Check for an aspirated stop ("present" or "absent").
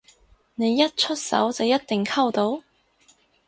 present